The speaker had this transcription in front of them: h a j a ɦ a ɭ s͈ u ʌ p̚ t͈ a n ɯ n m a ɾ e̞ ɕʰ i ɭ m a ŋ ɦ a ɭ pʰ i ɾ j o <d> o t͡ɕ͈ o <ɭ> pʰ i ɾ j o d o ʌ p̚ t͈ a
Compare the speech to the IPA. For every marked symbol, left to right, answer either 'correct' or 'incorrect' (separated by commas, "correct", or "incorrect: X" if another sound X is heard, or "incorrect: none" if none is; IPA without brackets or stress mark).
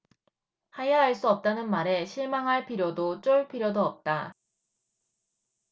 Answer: correct, correct